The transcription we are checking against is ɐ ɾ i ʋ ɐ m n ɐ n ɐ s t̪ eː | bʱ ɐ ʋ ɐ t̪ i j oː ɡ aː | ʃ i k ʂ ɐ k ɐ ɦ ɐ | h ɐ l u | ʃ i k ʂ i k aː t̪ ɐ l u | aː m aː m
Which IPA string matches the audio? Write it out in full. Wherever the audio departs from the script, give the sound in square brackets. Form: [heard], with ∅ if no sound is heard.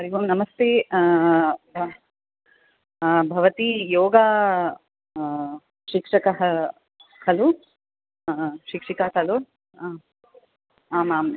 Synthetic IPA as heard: ɐ ɾ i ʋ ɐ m n ɐ [m] ɐ s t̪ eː | bʱ ɐ ʋ ɐ t̪ i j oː ɡ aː | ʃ i k ʂ ɐ k ɐ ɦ ɐ | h ɐ l u | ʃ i k ʂ i k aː t̪ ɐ l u | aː m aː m